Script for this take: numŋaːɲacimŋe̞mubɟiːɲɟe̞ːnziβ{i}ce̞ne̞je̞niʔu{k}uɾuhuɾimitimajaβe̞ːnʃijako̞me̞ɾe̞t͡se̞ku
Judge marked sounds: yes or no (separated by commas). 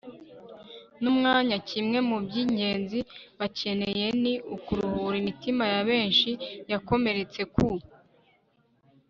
no, yes